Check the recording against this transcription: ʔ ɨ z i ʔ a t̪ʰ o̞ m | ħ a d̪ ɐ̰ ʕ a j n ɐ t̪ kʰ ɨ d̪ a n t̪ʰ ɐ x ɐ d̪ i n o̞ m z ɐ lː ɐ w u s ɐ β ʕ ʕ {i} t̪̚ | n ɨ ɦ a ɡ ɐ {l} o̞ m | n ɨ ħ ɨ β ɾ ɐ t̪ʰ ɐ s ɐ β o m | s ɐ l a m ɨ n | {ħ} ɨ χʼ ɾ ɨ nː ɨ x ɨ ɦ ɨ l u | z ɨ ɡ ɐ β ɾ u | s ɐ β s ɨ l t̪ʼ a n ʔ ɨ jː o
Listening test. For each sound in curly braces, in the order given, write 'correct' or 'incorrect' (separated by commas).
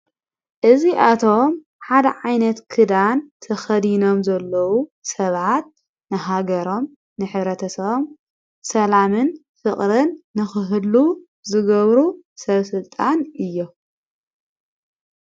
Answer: incorrect, incorrect, incorrect